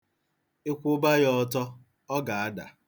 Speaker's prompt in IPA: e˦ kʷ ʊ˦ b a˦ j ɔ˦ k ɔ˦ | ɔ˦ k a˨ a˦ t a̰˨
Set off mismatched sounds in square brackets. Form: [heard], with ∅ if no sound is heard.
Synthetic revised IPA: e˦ kʷ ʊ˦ b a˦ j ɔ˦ [t] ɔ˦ | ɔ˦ [ɡ] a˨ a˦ [d] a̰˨